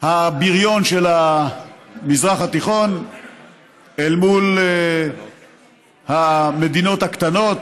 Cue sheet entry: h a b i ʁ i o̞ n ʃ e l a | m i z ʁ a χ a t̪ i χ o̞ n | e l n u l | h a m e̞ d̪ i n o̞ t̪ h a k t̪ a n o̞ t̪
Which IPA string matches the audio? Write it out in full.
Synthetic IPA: h a b i ʁ j o̞ n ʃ e l a | m i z ʁ a χ a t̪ i χ o̞ n | e l m u l | h a m e̞ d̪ i n o̞ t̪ h a k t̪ a n o̞ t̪